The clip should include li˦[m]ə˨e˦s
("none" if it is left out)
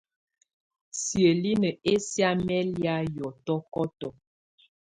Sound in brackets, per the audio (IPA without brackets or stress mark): n